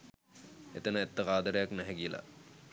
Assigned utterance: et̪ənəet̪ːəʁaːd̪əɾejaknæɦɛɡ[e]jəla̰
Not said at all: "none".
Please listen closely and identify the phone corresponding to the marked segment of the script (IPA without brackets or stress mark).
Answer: i